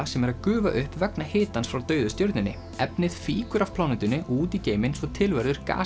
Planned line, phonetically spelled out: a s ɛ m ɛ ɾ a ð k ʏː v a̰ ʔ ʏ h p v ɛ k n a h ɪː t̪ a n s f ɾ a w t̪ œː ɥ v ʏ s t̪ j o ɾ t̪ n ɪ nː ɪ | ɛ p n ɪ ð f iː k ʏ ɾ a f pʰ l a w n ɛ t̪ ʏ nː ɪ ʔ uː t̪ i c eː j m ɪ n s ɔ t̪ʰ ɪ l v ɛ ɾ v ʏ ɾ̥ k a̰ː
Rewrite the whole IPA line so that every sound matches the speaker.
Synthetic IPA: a s ɛ m ɛ ɾ a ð k ʏː v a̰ ʔ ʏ h p v ɛ k n a h ɪː t̪ a n s f ɾ a w t̪ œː ɥ ð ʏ s t̪ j o ɾ t̪ n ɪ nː ɪ | ɛ p n ɪ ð f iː k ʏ ɾ a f pʰ l a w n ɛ t̪ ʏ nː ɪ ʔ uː t̪ i c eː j m ɪ n s ɔ t̪ʰ ɪ l v ɛ ɾ ð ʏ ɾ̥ k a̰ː